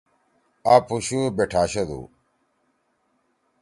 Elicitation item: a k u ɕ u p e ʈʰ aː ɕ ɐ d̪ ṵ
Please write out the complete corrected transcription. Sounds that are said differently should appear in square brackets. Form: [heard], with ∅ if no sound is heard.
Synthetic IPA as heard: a [p] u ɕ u [b] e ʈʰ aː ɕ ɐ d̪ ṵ